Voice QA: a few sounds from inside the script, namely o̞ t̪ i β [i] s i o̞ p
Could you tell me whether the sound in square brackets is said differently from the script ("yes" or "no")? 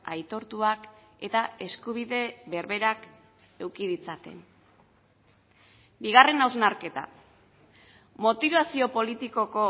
yes